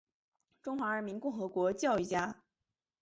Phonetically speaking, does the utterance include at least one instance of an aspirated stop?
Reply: no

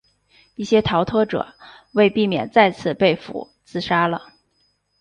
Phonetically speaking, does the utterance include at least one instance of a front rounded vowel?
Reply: no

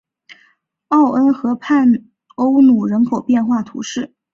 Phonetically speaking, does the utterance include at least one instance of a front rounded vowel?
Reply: no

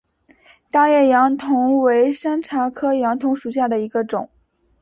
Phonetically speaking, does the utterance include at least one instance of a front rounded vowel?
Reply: no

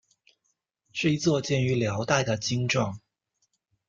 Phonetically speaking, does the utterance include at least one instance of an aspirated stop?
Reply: no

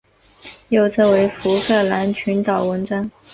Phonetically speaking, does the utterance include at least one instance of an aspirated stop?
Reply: yes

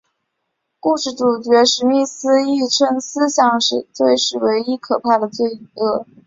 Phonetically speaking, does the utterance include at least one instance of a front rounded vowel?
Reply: no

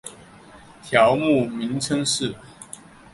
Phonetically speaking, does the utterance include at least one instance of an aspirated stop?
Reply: yes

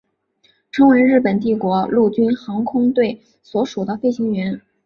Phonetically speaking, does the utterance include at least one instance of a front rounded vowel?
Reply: yes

